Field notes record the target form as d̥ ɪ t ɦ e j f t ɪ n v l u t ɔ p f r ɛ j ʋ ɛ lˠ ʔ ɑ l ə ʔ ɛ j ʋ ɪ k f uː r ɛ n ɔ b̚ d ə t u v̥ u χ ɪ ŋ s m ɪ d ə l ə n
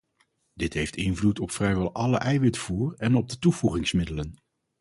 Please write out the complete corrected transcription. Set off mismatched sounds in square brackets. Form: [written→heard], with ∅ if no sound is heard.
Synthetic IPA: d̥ ɪ t ɦ e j f t ɪ n v l u t ɔ p f r ɛ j ʋ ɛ lˠ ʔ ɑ l ə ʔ ɛ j ʋ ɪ [k→t] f uː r ɛ n ɔ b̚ d ə t u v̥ u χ ɪ ŋ s m ɪ d ə l ə n

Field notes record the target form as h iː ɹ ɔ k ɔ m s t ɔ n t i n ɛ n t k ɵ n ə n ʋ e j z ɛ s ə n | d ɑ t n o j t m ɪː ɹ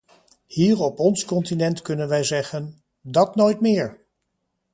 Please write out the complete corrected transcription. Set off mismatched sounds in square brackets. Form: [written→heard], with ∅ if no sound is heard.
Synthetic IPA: h iː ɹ ɔ [k→p] ɔ [m→n] s [t→k] ɔ n t i n ɛ n t k ɵ n ə n ʋ [e→ɛ] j z ɛ [s→χ] ə n | d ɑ t n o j t m ɪː ɹ

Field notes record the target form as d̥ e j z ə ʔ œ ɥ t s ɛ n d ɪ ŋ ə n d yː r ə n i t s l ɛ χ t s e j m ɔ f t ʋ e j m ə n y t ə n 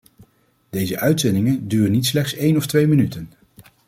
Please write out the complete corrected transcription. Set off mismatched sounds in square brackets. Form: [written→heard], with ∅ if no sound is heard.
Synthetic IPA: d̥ e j z ə ʔ œ ɥ t s ɛ n d ɪ ŋ ə n d yː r ə n i t s l ɛ χ t s e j [m→n] ɔ f t ʋ e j m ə n y t ə n

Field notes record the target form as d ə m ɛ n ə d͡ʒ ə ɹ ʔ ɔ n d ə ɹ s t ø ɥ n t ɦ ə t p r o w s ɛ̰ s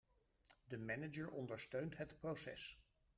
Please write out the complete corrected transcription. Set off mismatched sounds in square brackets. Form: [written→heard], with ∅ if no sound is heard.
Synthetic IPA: d ə m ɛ n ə d͡ʒ ə ɹ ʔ ɔ n d ə ɹ s t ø ɥ n t ɦ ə t p r o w s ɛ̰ s

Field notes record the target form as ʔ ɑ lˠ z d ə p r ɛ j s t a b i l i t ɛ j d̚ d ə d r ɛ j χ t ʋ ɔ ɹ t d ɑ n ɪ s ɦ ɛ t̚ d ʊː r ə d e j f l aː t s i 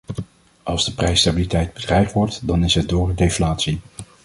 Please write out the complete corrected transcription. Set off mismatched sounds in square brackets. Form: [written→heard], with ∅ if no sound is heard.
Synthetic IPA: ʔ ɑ lˠ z d ə p r ɛ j s t a b i l i t ɛ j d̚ [d→b] ə d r ɛ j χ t ʋ ɔ ɹ t d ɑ n ɪ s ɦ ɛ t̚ d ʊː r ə d e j f l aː t s i

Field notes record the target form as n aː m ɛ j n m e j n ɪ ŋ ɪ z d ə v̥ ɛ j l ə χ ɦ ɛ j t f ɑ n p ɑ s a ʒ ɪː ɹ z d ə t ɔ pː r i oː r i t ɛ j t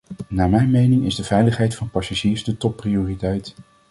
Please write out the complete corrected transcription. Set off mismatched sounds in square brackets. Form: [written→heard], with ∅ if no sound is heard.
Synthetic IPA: n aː m ɛ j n m e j n ɪ ŋ ɪ z d ə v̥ ɛ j l ə χ ɦ ɛ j t f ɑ n p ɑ s a ʒ [ɪː→iː] ɹ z d ə t ɔ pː r i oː r i t ɛ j t

